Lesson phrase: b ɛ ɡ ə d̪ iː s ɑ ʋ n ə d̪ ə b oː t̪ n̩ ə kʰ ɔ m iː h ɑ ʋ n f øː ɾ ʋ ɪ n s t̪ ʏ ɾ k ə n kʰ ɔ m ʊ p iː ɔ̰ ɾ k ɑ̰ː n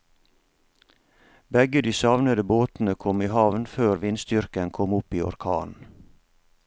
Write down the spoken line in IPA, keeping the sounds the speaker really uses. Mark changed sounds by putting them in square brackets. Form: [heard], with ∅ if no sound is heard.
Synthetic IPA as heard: b ɛ ɡ ə d̪ iː s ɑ ʋ n ə d̪ ə b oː t̪ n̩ ə kʰ ɔ m iː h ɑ ʋ n f øː ɾ ʋ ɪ n s t̪ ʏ ɾ k ə n kʰ ɔ m ʊ p iː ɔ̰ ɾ [kʰ] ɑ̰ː n